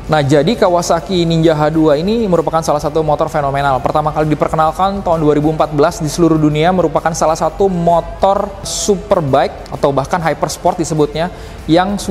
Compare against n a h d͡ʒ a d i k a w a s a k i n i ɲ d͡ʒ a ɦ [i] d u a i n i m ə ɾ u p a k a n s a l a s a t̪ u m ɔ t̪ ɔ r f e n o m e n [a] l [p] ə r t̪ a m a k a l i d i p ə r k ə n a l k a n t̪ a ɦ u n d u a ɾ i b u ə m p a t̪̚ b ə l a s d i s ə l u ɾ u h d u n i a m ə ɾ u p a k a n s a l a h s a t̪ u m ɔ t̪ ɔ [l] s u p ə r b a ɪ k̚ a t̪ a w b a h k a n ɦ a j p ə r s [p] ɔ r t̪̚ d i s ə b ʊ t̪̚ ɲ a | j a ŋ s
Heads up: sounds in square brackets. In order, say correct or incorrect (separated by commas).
incorrect, correct, correct, incorrect, correct